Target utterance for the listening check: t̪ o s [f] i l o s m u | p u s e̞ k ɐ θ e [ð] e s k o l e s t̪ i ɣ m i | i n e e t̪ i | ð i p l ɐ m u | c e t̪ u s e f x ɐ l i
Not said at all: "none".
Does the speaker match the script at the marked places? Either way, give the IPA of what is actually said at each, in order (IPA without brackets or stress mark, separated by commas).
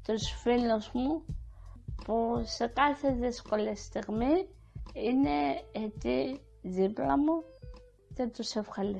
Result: f, ð